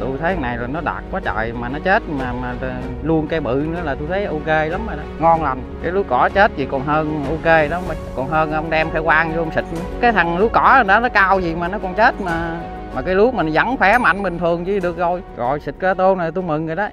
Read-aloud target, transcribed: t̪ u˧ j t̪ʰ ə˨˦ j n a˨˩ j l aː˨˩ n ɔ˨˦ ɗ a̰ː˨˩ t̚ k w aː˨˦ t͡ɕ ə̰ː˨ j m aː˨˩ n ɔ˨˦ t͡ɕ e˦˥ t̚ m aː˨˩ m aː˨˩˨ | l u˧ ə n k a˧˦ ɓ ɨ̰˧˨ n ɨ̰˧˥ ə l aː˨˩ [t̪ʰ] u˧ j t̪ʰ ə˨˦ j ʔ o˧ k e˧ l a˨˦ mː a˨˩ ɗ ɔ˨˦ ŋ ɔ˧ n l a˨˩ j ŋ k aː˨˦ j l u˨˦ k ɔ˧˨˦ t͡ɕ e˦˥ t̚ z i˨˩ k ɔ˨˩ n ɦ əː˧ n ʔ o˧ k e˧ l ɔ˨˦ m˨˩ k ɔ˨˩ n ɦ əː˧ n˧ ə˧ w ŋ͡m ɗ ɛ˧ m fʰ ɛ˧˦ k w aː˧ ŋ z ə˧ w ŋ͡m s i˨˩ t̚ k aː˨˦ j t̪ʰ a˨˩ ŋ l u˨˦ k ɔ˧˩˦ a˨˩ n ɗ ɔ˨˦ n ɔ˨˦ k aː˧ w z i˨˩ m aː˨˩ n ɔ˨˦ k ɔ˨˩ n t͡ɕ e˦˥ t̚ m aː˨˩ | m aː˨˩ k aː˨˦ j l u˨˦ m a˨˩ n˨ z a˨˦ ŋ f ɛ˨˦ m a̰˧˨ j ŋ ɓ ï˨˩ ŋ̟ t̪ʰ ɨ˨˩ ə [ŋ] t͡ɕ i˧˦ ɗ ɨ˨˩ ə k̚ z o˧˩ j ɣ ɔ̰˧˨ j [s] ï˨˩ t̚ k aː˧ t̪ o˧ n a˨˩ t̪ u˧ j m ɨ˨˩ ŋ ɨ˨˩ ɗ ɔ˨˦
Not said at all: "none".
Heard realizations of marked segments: t̪, ŋ, s

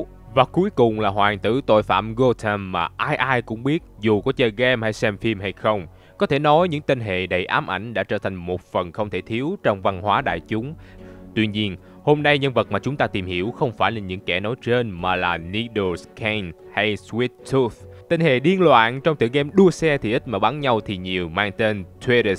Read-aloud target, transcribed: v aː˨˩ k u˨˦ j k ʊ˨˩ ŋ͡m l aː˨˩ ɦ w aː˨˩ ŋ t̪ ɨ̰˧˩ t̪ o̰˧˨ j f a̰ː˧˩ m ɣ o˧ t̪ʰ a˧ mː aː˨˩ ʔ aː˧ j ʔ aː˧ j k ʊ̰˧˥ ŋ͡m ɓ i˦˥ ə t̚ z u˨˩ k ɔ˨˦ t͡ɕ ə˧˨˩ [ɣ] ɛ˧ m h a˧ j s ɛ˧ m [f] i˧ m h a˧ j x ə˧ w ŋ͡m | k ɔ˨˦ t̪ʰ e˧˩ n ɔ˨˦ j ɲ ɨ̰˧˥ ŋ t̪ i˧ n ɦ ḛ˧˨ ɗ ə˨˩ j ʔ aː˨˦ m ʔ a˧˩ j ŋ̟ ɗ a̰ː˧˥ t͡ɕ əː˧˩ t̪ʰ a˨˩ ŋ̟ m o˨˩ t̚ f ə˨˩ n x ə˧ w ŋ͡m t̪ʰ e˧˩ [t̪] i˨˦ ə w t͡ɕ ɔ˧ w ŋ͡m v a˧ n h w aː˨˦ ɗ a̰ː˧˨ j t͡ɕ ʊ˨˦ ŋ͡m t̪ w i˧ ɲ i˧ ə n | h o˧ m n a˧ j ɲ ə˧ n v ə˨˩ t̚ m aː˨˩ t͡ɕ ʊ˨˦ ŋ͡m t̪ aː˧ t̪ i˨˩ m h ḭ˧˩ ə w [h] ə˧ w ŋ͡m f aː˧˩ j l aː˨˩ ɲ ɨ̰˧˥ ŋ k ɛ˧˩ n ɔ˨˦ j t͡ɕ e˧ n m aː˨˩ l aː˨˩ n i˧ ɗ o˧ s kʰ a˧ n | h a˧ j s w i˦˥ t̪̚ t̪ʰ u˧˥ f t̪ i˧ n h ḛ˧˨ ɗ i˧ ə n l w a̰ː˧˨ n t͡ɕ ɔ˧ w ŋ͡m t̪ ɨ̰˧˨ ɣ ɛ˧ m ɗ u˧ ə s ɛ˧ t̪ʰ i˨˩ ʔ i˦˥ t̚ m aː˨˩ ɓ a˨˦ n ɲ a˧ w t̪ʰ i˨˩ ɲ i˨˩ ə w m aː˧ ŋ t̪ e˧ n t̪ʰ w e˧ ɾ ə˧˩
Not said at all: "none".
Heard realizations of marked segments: ɣ, f, t̪ʰ, x

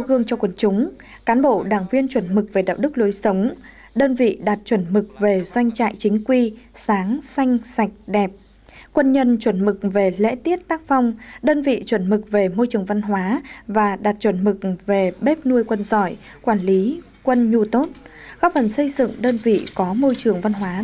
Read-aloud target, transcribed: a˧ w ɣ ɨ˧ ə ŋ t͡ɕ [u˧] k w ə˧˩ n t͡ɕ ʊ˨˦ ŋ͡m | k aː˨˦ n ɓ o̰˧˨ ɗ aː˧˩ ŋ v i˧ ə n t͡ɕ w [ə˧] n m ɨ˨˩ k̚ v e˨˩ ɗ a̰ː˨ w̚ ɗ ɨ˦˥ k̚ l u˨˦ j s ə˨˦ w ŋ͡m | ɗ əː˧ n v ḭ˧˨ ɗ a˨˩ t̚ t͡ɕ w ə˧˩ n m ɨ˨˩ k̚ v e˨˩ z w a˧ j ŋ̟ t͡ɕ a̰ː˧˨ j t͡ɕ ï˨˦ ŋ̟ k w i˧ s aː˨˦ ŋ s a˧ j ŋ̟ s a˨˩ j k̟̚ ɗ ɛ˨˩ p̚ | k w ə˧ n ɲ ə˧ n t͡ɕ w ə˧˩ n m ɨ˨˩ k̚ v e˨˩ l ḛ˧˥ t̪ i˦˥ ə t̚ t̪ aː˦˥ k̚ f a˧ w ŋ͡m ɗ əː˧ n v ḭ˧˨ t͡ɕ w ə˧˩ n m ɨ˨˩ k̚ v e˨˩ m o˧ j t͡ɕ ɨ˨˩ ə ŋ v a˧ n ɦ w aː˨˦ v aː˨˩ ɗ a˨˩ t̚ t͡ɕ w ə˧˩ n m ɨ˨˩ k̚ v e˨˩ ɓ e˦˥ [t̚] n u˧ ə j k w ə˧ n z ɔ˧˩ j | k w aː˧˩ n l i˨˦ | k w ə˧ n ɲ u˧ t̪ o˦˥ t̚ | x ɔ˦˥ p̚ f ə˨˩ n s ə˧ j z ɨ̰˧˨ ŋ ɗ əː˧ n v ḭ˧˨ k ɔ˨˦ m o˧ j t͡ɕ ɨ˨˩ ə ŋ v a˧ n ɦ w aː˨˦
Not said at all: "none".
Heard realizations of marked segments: ɔ˧, ə˧˩, p̚

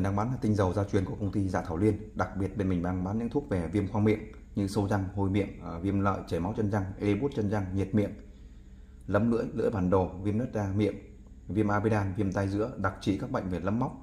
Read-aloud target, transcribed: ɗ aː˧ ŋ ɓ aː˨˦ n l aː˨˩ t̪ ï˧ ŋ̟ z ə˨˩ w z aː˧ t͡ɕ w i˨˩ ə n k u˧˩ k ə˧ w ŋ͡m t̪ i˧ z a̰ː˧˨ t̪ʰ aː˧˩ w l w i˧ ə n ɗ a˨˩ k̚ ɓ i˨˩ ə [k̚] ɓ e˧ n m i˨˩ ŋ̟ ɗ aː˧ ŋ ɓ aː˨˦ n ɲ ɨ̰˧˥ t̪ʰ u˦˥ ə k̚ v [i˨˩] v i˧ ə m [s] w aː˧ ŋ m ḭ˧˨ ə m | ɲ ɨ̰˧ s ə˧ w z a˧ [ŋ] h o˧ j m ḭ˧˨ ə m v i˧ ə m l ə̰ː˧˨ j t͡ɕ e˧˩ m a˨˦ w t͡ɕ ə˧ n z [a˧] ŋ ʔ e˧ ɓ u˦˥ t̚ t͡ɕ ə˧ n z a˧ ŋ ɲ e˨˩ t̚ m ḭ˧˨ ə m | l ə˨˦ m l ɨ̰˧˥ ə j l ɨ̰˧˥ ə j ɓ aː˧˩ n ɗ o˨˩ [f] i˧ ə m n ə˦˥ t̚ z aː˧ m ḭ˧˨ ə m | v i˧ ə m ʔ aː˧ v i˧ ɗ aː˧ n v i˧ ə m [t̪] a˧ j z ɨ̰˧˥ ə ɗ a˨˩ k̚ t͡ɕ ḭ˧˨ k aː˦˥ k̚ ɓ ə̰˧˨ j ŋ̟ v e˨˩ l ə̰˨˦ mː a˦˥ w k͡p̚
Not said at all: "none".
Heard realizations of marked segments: t̚, e˨˩, x, ŋ, a˧, v, t̪

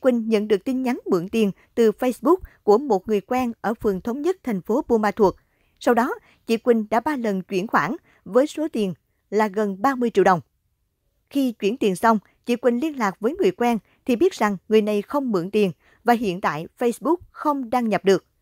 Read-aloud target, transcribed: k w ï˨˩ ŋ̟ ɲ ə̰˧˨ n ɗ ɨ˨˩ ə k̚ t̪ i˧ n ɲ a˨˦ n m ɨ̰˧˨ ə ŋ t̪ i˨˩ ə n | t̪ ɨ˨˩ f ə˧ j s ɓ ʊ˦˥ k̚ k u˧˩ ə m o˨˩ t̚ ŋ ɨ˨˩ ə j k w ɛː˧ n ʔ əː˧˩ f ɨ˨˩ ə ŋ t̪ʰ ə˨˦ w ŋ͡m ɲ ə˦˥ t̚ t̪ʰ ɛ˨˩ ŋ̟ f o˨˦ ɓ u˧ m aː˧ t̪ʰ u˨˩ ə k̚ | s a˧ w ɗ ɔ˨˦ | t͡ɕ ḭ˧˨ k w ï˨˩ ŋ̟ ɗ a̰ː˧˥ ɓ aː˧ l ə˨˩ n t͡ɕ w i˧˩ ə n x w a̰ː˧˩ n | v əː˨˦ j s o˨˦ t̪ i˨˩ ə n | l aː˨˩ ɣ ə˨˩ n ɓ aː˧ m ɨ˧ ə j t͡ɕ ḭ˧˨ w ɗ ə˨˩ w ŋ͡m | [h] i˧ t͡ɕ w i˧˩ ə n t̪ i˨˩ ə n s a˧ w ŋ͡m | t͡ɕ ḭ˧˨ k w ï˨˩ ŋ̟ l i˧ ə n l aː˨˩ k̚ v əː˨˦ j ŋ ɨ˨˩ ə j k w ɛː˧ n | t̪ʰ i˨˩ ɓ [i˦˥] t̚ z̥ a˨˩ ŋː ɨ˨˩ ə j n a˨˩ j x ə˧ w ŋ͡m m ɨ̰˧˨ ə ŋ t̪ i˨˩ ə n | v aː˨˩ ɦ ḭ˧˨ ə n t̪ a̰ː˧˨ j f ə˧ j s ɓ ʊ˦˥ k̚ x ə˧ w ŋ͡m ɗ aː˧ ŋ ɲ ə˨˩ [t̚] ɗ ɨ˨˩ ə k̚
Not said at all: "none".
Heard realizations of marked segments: x, i˦˥, p̚

